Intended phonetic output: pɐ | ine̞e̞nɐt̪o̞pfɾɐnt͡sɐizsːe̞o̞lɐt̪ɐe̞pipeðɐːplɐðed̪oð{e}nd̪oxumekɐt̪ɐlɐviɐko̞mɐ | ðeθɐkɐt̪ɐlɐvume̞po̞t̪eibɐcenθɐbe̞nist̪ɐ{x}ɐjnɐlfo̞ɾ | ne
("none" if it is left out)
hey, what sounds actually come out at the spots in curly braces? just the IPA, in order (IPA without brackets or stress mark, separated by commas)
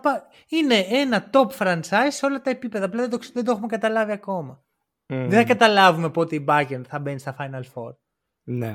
e, f